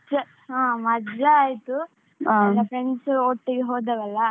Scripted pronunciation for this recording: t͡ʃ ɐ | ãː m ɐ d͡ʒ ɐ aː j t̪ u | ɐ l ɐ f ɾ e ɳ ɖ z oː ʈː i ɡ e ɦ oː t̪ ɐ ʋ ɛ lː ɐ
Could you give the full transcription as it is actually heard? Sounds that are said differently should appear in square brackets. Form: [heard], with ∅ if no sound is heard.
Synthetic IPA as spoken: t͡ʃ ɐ | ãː m ɐ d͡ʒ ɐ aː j t̪ u | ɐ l ɐ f ɾ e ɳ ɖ [s] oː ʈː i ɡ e ɦ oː [d̪] ɐ ʋ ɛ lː ɐ